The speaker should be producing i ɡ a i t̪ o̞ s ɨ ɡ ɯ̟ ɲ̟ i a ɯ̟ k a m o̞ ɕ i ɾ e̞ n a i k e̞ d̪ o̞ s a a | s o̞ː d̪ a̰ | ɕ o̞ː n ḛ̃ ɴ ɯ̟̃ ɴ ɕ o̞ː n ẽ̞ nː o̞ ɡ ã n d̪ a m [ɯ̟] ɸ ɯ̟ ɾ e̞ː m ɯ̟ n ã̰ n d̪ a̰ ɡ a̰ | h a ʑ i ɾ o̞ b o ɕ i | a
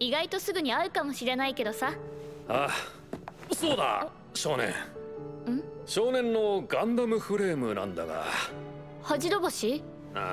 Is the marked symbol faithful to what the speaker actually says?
yes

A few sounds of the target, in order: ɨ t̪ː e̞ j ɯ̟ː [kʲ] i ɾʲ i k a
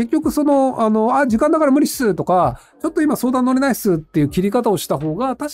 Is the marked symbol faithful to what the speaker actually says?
yes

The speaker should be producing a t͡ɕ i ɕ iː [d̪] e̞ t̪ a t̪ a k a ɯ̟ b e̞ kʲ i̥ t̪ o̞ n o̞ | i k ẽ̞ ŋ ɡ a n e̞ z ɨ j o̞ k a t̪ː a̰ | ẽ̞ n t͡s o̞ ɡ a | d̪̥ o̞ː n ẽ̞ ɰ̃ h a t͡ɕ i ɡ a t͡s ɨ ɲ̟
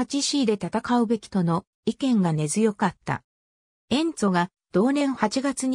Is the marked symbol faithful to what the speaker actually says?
yes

